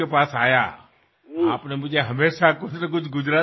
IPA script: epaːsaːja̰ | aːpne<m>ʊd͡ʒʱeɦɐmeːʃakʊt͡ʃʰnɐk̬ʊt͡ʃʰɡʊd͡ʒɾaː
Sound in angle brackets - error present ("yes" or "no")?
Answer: no